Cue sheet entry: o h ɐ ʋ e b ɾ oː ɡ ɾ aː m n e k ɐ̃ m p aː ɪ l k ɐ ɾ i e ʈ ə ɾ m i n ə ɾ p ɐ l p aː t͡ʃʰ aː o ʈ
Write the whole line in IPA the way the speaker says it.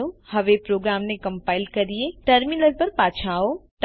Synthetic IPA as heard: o h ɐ ʋ e p ɾ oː ɡ ɾ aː m n e k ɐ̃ m p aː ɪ l k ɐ ɾ i e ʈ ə ɾ m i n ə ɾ p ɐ ɾ p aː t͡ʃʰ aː o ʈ